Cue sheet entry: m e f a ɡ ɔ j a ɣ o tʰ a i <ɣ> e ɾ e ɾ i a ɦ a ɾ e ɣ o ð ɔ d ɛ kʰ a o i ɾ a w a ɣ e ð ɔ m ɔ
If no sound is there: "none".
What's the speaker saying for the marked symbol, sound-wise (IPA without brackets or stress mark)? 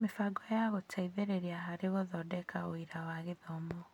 ð